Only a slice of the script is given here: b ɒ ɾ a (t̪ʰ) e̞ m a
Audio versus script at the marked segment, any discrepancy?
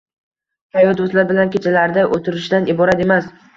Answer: yes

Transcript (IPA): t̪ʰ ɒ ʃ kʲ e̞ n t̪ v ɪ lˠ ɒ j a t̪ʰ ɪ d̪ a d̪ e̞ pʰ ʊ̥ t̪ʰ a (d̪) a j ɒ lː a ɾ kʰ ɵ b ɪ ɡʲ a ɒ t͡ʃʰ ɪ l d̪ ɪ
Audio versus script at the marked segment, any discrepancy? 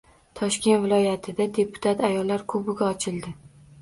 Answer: yes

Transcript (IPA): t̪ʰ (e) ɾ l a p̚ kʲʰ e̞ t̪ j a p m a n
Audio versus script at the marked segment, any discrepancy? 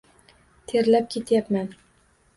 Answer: no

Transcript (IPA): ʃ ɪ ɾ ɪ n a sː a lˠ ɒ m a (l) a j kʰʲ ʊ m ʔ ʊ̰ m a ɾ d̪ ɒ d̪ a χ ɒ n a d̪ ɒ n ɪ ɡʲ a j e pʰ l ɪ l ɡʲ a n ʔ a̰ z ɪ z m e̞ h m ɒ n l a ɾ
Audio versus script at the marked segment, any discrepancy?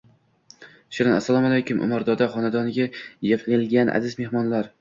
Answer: no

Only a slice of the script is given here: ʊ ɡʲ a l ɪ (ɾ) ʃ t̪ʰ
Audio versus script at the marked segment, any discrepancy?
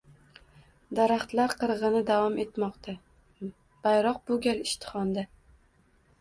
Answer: yes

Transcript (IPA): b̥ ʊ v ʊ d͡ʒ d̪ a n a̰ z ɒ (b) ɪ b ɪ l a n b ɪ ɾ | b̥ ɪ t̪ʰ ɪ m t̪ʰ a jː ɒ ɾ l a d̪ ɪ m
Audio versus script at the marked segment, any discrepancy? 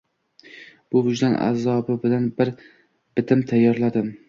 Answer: no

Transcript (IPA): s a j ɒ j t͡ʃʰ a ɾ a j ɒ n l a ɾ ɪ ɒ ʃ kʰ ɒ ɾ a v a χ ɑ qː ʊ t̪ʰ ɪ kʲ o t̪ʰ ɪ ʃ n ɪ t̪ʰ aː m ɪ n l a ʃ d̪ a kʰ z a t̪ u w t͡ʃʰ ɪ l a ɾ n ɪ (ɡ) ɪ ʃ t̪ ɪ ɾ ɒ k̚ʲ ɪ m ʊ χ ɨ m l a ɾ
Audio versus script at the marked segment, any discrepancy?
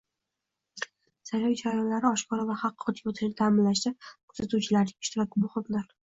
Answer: yes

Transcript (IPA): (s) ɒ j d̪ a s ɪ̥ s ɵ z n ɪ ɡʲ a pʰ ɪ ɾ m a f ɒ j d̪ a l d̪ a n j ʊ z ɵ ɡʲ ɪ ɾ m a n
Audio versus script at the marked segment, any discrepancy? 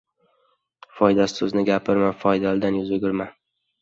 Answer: yes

